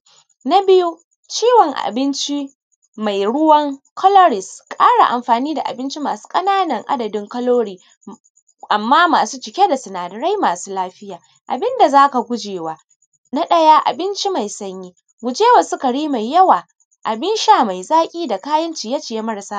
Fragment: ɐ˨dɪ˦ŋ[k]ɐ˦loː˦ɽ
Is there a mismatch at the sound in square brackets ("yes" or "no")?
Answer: no